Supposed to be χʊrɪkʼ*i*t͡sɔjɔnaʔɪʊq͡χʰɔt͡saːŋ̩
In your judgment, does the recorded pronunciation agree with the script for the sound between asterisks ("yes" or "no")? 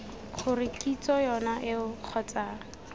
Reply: yes